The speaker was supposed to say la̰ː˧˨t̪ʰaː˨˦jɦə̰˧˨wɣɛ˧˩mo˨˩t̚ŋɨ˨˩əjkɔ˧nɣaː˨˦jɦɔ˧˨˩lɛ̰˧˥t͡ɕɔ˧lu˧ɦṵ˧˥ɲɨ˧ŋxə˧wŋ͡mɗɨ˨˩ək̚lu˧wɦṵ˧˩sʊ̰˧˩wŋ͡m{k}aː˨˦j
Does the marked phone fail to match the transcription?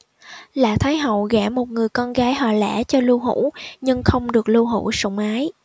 yes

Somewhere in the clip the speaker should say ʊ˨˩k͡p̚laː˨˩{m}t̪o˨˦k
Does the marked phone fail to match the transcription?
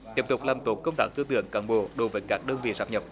no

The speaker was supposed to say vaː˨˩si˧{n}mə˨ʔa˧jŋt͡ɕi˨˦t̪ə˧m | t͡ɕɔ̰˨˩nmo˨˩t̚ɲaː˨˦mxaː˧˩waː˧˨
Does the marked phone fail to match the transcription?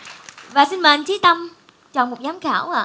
no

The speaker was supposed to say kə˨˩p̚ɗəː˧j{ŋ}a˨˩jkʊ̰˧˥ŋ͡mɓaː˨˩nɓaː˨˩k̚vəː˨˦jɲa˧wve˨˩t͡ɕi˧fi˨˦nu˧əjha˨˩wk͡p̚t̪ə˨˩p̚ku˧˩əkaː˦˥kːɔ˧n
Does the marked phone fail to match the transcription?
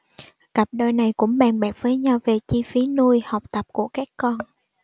yes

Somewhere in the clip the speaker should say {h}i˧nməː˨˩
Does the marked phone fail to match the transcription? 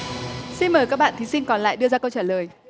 yes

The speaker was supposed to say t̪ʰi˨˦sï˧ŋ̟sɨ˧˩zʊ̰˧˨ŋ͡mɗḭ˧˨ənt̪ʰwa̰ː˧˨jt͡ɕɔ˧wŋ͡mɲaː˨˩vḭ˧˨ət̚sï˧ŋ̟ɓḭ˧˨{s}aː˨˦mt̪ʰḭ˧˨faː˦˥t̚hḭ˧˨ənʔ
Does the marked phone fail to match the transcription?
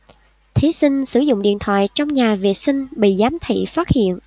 yes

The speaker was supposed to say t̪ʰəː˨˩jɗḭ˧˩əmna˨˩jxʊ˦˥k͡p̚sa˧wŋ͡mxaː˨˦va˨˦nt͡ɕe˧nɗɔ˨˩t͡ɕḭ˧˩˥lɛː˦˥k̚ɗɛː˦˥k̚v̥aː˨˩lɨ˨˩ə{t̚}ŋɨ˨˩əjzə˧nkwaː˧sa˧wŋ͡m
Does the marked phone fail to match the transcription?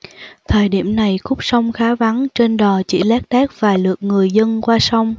yes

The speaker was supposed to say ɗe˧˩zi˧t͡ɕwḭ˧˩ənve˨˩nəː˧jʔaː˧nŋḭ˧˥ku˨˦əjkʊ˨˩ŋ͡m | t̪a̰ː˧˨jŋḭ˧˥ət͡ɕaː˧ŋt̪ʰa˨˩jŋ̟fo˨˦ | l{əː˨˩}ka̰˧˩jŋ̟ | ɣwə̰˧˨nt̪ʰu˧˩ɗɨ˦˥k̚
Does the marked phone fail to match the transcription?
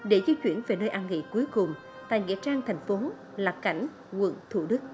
yes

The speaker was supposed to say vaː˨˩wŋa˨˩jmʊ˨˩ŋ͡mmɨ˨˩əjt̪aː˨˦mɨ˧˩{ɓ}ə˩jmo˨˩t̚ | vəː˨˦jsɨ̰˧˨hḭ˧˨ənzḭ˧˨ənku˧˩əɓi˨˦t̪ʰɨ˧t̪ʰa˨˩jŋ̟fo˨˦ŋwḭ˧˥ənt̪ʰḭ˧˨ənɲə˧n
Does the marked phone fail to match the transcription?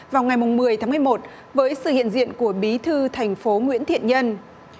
yes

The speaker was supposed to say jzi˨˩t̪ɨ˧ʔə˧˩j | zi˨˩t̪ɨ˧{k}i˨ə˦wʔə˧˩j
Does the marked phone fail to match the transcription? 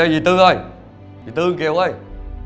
no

